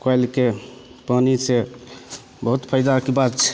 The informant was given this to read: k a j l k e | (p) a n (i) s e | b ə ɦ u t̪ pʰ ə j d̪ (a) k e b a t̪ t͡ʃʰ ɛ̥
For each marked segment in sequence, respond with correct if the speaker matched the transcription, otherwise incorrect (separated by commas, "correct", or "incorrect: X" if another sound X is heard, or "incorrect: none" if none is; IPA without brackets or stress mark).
correct, correct, correct